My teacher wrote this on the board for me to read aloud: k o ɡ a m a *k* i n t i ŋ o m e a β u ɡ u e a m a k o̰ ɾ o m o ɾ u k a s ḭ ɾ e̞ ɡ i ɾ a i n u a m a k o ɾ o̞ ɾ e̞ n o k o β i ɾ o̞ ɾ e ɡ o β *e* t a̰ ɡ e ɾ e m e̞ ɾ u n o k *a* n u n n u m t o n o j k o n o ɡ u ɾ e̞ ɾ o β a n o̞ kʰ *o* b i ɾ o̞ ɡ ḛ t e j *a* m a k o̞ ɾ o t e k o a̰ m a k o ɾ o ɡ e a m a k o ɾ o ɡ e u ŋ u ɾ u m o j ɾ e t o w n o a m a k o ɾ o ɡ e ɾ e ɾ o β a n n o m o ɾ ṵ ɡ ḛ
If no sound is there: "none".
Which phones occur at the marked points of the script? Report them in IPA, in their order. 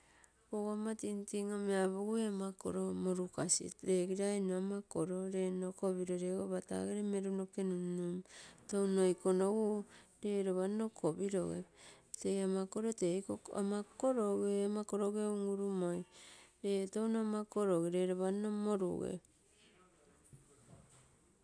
t, a, e, o, a

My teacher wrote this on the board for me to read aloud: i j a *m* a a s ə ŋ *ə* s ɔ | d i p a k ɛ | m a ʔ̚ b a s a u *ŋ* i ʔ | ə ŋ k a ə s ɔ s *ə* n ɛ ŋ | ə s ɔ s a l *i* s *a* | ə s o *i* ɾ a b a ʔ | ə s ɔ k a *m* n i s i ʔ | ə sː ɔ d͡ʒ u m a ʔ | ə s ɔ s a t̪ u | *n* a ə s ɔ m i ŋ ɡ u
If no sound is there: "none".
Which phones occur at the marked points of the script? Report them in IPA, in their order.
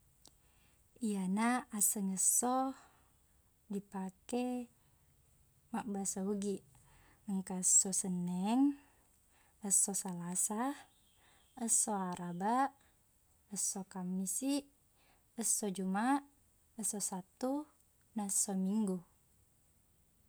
n, ə, ɡ, ə, a, a, a, m, n

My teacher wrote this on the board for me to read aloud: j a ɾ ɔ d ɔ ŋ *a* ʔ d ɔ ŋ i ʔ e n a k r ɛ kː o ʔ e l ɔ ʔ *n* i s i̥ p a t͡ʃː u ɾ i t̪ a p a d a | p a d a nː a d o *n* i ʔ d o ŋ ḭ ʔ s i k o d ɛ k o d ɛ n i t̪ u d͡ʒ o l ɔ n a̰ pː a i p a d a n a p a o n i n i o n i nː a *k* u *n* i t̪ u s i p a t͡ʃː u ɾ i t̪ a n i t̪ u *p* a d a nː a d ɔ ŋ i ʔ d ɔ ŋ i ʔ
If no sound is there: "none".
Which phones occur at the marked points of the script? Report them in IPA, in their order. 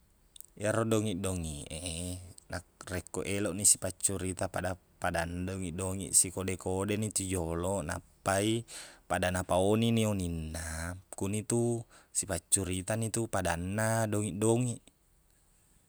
i, n, ŋ, k, n, p

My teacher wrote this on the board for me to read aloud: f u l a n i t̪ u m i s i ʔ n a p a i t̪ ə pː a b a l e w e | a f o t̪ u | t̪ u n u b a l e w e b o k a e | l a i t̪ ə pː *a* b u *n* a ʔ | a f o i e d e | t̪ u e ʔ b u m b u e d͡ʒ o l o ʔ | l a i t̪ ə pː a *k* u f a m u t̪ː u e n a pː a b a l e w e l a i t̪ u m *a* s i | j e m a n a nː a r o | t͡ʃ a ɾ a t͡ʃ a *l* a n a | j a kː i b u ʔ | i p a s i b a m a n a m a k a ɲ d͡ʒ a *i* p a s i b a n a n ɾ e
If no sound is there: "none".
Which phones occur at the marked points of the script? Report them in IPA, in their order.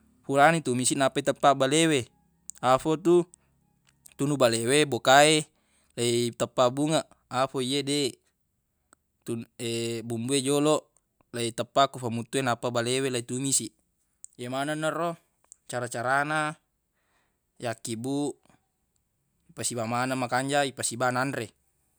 a, ŋ, k, i, ɾ, i

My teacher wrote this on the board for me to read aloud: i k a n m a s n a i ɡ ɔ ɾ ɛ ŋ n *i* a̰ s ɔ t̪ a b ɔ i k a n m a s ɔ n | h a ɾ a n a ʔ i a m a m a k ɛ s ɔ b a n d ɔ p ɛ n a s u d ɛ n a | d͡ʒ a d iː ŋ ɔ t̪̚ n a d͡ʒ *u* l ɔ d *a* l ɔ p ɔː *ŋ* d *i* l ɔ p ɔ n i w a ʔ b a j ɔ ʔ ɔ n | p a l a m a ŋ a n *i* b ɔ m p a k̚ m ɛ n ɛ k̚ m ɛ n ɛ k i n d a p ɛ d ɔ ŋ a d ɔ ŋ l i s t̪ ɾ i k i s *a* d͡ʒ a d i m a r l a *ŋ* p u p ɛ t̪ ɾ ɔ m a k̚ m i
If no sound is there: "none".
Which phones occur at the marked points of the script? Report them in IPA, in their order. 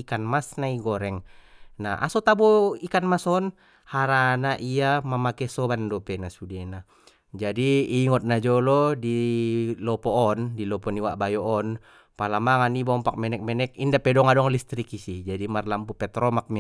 a, ɔ, i, n, i, i, i, m

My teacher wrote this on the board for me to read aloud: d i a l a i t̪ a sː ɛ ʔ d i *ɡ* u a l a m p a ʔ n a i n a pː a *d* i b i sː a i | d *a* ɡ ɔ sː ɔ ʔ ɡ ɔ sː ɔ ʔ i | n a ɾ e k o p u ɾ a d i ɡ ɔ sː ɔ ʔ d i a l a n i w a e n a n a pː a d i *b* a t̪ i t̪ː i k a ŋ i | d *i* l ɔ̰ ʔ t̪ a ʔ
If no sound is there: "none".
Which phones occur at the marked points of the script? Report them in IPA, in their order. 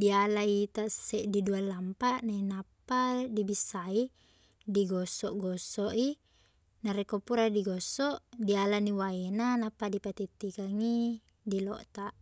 d, d, i, p, i

